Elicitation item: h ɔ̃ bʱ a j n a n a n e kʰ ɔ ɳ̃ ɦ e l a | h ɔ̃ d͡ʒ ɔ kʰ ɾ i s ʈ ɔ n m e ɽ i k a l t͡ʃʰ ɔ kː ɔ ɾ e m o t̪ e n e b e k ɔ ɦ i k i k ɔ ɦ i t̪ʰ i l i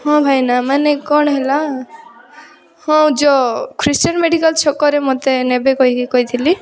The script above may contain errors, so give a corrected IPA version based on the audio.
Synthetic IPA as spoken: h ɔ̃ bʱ a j n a m a n e k ɔ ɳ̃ ɦ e l a | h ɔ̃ d͡ʒ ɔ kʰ ɾ i s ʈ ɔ n m e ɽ i k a l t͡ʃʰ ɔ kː ɔ ɾ e m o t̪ e n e b e k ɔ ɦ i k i k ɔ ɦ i t̪ʰ i l i